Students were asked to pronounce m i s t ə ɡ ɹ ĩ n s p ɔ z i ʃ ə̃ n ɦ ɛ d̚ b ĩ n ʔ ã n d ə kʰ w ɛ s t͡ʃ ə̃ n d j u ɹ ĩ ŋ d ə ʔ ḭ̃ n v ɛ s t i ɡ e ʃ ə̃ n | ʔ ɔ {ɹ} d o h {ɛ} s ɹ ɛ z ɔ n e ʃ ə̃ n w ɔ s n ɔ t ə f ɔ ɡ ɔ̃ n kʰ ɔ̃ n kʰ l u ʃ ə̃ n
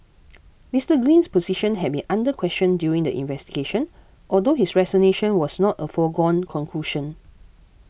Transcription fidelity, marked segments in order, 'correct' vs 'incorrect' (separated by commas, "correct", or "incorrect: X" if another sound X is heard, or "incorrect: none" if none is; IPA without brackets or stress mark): incorrect: l, incorrect: i